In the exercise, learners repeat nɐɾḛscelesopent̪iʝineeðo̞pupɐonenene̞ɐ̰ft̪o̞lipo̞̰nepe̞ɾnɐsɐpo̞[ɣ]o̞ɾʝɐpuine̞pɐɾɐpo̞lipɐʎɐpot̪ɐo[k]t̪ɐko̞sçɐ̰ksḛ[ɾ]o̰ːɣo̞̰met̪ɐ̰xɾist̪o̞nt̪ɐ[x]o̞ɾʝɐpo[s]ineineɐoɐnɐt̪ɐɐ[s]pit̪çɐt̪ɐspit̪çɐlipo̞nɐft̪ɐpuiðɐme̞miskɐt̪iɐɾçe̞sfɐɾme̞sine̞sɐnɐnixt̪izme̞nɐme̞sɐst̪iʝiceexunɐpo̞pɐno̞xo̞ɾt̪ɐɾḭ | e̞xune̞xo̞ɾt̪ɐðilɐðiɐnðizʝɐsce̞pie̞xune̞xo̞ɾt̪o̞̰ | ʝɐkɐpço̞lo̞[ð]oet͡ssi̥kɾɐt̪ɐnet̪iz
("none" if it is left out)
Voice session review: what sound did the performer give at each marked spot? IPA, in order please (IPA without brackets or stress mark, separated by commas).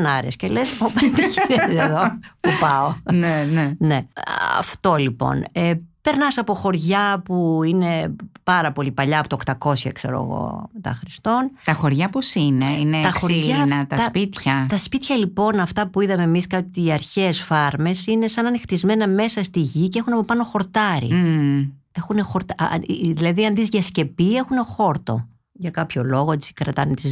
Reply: x, k, ɾ, x, s, s, ɣ